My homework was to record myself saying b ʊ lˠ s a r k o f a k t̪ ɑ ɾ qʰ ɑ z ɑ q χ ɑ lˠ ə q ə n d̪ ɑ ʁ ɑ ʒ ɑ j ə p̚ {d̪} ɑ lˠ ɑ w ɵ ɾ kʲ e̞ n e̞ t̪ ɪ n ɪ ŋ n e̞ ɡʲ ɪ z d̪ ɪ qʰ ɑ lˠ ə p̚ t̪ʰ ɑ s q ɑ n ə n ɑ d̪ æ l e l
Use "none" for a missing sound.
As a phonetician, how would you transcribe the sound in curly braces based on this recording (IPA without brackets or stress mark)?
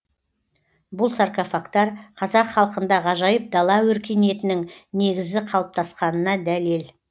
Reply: d̪